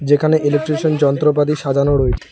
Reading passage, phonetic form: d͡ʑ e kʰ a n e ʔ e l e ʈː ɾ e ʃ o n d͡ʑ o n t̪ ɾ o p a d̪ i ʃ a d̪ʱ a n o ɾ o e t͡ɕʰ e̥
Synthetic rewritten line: d͡ʑ e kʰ a n e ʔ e l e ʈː ɾ e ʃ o n d͡ʑ ɔ n t̪ ɾ o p a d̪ i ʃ a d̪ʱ a n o ɾ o e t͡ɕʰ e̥

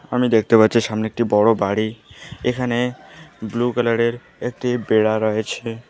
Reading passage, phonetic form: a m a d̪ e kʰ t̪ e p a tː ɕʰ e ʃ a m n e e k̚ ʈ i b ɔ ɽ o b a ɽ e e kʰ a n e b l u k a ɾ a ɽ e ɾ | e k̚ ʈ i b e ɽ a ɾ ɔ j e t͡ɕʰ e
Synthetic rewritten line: a m i d̪ e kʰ t̪ e p a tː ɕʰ i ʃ a m n e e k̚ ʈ i b ɔ ɽ o b a ɽ i e kʰ a n e b l u k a l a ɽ e ɾ | e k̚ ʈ i b e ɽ a ɾ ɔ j e t͡ɕʰ e

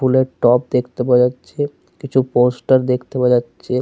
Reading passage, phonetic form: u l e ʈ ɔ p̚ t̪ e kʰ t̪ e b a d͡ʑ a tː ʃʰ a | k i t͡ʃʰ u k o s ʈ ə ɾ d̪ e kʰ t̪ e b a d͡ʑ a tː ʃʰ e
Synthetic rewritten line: u l e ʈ ɔ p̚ d̪ e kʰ t̪ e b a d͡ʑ a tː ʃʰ e | k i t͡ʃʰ u p o s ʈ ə ɾ d̪ e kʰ t̪ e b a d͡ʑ a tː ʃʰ e

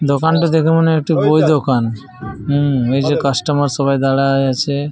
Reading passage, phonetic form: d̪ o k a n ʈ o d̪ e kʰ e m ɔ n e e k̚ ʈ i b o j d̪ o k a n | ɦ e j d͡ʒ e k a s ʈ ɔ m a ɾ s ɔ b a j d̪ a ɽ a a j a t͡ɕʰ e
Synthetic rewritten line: d̪ o k a n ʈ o d̪ e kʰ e m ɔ n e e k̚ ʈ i b o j d̪ o k a n | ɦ e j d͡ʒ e k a s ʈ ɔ m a ɾ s ɔ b a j d̪ a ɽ a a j a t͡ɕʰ e

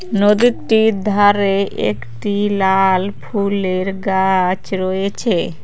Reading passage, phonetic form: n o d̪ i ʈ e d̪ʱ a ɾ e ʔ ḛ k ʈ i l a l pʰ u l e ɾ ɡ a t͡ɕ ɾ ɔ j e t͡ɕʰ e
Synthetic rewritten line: n o d̪ i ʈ i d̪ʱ a ɾ e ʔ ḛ k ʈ i l a l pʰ u l e ɾ ɡ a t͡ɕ ɾ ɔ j e t͡ɕʰ e

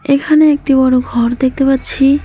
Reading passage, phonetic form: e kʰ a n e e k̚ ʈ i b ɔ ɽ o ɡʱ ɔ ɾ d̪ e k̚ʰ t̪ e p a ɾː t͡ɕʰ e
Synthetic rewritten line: e kʰ a n e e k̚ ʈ i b ɔ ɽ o ɡʱ ɔ ɾ d̪ e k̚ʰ t̪ e p a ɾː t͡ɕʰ i

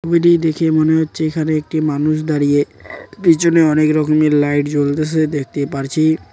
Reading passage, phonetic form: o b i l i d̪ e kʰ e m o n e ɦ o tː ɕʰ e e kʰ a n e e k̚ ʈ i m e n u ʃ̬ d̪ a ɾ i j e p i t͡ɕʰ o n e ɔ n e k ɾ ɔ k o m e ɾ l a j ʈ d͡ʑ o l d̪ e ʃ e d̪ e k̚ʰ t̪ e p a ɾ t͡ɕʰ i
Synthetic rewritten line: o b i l i d̪ e kʰ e m o n e ɦ o tː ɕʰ e e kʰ a n e e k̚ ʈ i m a n u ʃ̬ d̪ a ɾ i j e p i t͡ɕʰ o n e ɔ n e k ɾ ɔ k o m e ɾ l a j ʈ d͡ʑ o l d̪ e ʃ e d̪ e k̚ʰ t̪ e p a ɾ t͡ɕʰ i

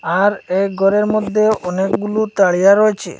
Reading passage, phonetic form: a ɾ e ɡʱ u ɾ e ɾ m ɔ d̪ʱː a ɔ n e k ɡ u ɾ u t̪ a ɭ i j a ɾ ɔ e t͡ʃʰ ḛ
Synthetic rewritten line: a ɾ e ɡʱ ɔ ɾ e ɾ m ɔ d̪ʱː e ɔ n e k ɡ u l u t̪ a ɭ i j a ɾ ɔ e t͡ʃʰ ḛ

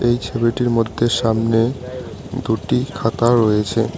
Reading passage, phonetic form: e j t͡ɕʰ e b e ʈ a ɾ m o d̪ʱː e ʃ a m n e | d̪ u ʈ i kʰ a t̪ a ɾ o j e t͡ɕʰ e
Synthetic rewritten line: e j t͡ɕʰ e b e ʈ i ɾ m o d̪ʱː e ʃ a m n e | d̪ u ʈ i kʰ a t̪ a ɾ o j e t͡ɕʰ e

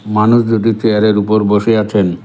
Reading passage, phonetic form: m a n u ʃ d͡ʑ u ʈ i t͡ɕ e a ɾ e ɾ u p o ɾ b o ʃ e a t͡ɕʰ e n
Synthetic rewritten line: m a n u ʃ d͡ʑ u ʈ i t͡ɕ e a ɾ e ɾ u p o ɾ b o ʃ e a t͡ɕʰ e n

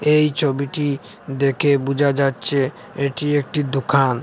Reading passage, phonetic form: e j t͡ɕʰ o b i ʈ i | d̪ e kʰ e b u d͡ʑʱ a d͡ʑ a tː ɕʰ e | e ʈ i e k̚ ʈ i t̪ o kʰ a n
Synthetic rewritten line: e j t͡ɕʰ o b i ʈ i | d̪ e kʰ e b u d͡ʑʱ a d͡ʑ a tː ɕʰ e | e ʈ i e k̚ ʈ i d̪ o kʰ a n

